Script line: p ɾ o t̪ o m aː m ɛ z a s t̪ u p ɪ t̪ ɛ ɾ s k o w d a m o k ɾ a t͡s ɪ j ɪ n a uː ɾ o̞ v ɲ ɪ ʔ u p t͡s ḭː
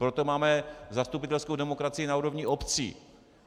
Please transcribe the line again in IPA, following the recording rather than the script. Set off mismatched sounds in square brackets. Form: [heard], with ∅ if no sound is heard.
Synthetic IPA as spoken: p ɾ o t̪ o m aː m ɛ z a s t̪ u p ɪ t̪ ɛ [l] s k o w d [ɛ] m o k ɾ a t͡s ɪ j ɪ n a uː ɾ o̞ v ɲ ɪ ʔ [o] p t͡s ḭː

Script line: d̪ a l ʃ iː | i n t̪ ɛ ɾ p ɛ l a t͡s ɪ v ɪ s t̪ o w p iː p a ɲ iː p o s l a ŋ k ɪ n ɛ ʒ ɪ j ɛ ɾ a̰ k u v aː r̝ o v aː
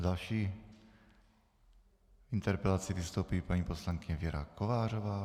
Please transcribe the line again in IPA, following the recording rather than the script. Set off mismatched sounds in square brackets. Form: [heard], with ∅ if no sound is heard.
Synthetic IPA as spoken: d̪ a l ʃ iː | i n t̪ ɛ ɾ p ɛ l a t͡s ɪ v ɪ s t̪ o w p iː p a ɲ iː p o s l a ŋ k ɪ [ɲ] ɛ [v] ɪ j ɛ ɾ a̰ k [o] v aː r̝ o v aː

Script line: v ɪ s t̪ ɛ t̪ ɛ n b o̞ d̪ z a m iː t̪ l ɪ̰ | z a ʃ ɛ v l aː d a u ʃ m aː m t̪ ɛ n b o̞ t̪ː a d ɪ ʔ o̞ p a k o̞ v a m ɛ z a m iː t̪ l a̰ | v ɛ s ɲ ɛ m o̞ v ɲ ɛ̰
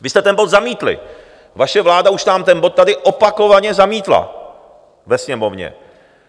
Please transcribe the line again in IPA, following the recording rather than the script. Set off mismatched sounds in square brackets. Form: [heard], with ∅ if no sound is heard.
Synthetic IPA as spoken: v ɪ s t̪ ɛ t̪ ɛ n b o̞ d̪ z a m iː t̪ l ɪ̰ | [v] a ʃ ɛ v l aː d a u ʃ [n] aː m t̪ ɛ n b o̞ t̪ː a d ɪ ʔ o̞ p a k o̞ v a [ɲ] ɛ z a m iː t̪ l a̰ | v ɛ s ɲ ɛ m o̞ v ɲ ɛ̰

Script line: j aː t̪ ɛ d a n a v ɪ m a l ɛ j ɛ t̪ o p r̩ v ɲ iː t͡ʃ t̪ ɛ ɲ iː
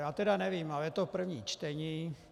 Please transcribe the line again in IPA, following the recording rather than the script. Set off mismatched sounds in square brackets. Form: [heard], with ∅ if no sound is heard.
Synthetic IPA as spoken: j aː t̪ ɛ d a n [ɛ] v [i] m a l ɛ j ɛ t̪ o p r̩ v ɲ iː t͡ʃ t̪ ɛ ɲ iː

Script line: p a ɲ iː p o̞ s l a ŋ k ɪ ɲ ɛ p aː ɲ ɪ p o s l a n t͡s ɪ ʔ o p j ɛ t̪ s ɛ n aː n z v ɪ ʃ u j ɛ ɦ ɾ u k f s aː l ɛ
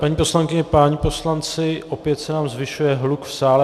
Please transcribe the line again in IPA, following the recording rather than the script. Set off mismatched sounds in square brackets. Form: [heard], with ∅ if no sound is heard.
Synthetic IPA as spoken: p a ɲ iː p o̞ s l a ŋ k ɪ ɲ ɛ p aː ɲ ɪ p o s l a n t͡s ɪ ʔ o p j ɛ t̪ s ɛ n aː [m] z v ɪ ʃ u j ɛ ɦ [l] u k f s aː l ɛ

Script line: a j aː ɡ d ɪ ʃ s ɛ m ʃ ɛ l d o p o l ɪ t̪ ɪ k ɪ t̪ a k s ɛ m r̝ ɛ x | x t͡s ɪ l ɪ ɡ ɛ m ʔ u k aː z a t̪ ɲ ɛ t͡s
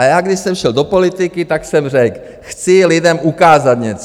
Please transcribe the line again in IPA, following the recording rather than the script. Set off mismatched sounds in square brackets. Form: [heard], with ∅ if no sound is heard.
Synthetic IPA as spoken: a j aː ɡ d ɪ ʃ s ɛ m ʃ ɛ l d o p o l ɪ t̪ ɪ k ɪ t̪ a k s ɛ m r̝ ɛ [k] | x t͡s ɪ l ɪ [d] ɛ m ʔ u k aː z a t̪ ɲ ɛ t͡s

